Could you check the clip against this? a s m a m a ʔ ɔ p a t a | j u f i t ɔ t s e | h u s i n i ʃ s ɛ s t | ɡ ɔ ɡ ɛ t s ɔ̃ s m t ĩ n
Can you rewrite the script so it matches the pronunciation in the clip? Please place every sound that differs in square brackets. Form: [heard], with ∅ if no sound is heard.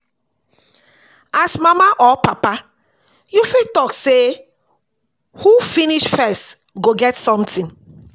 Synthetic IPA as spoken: a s m a m a ʔ ɔ p a [p] a | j u f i t ɔ [k] s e | h u [f] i n i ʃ [f] ɛ s t | ɡ [o] ɡ ɛ t s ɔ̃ [∅] m t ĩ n